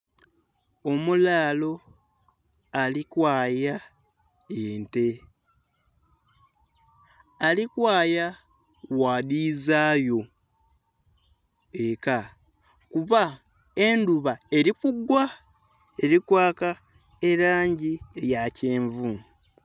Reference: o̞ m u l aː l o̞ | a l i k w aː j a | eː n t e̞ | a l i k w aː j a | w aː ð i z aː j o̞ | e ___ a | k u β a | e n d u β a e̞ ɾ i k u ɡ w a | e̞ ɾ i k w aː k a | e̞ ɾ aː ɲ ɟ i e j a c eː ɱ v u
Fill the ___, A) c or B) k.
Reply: B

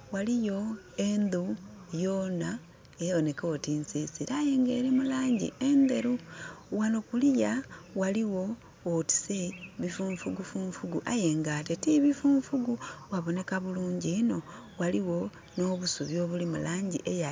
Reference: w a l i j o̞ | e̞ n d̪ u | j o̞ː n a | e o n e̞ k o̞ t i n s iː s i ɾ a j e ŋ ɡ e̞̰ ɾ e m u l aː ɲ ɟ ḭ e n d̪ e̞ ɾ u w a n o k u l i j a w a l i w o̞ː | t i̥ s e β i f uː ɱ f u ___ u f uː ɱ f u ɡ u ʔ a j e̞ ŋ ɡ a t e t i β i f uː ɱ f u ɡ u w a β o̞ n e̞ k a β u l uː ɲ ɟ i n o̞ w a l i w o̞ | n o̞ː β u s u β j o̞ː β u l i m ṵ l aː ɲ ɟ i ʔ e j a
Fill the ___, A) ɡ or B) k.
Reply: A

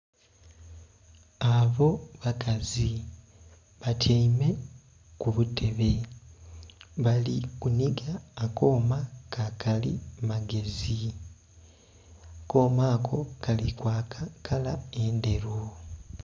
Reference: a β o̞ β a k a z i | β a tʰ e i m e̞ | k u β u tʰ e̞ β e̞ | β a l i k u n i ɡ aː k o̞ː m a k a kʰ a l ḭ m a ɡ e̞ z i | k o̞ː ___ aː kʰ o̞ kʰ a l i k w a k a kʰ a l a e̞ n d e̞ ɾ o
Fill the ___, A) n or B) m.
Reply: B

